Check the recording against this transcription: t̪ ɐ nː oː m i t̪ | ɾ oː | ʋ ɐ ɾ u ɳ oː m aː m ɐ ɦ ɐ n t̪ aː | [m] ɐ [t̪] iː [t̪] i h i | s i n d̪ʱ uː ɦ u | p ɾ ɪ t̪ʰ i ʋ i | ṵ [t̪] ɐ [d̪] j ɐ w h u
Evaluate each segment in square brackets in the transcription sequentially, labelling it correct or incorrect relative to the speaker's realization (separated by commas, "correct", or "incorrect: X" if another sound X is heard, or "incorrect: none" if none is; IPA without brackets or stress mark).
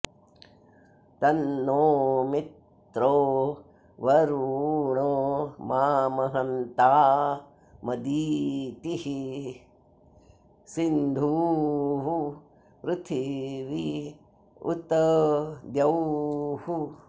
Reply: correct, incorrect: d̪, correct, correct, correct